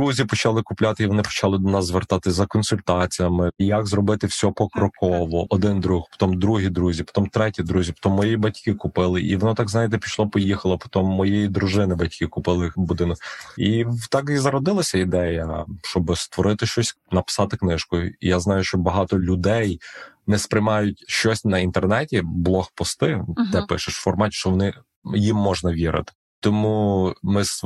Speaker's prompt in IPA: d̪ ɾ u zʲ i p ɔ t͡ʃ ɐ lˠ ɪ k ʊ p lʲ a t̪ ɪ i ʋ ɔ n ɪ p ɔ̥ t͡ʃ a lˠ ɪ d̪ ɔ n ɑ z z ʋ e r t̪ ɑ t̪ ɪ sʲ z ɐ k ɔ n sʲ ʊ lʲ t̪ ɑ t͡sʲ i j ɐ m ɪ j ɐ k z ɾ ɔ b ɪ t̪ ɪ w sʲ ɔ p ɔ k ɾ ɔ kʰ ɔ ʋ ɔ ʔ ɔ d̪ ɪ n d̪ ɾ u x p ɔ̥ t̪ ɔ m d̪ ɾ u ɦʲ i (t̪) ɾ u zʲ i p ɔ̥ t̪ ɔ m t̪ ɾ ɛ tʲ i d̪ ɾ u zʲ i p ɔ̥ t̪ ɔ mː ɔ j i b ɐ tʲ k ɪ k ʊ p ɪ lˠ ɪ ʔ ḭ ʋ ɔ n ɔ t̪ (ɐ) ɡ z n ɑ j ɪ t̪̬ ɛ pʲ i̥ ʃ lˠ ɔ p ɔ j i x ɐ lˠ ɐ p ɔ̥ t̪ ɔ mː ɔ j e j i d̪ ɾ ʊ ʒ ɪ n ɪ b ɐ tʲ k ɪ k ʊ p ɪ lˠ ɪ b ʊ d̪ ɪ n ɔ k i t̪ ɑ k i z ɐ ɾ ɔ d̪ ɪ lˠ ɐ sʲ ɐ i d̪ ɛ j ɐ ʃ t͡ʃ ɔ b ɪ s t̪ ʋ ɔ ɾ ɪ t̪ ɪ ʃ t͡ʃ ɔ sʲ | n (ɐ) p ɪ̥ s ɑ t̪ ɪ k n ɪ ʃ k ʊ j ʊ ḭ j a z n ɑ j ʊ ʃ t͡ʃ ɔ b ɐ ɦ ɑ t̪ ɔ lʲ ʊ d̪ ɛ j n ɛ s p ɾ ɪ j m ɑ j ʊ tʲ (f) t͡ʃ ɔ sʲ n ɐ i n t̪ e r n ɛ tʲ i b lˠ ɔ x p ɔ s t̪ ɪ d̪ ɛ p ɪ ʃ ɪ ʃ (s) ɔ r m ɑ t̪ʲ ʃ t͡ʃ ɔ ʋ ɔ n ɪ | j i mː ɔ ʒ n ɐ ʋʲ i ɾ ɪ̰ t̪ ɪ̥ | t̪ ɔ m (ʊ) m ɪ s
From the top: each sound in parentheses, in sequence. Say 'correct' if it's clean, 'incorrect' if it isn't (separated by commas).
incorrect, incorrect, correct, incorrect, incorrect, incorrect